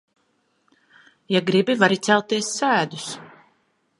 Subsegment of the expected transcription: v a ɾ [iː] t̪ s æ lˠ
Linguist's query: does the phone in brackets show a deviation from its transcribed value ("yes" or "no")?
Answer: yes